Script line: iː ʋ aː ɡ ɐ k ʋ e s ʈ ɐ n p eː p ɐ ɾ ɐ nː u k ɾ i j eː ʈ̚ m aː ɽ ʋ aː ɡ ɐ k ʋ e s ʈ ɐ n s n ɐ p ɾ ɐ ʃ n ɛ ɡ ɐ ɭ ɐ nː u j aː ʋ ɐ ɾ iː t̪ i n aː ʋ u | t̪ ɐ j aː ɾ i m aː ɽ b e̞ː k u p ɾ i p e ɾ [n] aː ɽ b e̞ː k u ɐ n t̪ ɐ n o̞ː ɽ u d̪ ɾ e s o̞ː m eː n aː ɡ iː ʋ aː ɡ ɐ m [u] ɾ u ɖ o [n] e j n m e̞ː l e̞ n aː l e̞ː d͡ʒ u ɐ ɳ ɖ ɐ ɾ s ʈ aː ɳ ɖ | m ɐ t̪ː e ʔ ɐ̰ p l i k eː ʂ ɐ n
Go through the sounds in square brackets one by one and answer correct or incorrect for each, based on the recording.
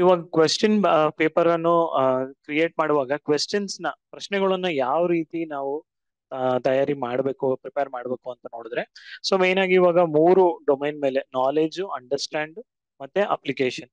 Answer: incorrect: m, incorrect: uː, incorrect: m

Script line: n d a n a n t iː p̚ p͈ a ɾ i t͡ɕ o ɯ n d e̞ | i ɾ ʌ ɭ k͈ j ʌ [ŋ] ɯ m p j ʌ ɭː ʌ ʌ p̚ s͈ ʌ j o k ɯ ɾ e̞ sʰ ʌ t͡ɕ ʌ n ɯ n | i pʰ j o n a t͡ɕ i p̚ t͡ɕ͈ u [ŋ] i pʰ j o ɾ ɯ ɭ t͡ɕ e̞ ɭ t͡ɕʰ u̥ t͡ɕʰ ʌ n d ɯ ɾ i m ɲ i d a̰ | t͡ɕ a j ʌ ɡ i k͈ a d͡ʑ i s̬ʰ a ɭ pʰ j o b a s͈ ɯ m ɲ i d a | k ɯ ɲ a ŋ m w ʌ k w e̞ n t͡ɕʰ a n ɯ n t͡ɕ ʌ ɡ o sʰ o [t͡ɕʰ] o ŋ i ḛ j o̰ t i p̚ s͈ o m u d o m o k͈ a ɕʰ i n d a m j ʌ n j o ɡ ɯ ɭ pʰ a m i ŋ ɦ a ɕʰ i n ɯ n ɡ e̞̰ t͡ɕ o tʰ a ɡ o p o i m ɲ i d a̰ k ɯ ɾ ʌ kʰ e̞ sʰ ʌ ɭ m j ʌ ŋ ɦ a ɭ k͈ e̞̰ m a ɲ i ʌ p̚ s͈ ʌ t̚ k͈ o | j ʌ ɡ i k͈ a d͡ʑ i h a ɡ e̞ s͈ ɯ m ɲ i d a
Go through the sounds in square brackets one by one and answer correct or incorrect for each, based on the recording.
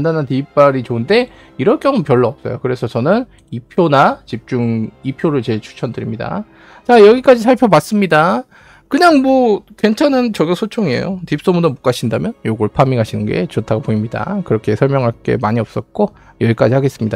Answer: correct, correct, correct

